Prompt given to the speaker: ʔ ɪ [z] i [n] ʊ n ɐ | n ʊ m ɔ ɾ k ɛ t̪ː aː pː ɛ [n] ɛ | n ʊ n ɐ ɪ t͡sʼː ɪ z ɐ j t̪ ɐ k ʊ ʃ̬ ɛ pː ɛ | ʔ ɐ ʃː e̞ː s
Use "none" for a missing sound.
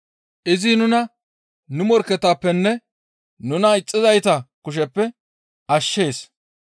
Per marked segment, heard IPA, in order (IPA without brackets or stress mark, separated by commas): z, n, nː